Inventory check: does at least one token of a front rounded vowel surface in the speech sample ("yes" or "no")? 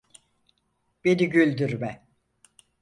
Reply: yes